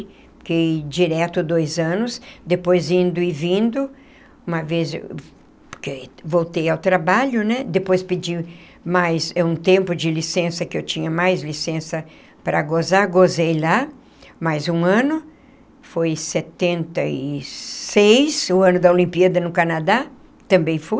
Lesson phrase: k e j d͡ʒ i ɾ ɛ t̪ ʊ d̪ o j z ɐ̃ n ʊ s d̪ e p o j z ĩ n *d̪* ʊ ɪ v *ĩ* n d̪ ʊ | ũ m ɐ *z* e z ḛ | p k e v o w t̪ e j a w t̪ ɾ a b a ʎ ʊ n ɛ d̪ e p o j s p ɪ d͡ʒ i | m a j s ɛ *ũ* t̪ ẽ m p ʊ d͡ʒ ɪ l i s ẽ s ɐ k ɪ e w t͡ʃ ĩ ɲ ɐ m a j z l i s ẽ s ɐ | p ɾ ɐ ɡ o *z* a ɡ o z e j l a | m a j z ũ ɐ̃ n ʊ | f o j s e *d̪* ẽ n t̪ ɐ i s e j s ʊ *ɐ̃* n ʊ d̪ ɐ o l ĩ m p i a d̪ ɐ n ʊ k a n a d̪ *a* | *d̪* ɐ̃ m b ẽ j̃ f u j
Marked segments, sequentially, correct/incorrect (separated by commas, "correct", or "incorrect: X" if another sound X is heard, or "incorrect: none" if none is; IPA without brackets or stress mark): correct, correct, incorrect: v, correct, correct, incorrect: t̪, correct, correct, incorrect: t̪